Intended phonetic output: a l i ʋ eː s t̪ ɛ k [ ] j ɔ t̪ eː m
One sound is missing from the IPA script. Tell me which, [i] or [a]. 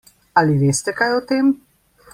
a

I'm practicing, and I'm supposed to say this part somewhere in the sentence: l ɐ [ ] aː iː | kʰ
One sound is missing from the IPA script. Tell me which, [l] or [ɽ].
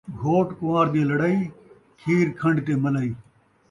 ɽ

